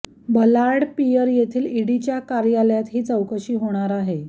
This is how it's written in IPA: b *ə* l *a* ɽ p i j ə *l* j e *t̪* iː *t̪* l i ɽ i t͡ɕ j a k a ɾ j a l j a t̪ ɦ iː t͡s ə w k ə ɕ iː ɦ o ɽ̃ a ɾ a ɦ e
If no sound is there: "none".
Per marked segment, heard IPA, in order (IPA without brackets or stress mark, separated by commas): ə, a, ɾ, t̪ʰ, none